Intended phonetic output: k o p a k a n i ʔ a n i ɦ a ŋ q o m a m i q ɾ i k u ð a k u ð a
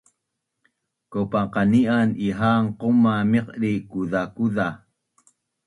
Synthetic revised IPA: k o p a q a n i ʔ a n i ɦ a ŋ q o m a m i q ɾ i k u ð a k u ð a